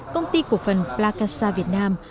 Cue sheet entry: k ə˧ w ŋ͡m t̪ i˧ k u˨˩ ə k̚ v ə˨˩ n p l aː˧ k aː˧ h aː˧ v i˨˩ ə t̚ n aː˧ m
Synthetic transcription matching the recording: k ə˧ w ŋ͡m t̪ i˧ k u˨˩ ə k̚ f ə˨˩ n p l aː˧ k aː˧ s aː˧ v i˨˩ ə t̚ n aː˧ m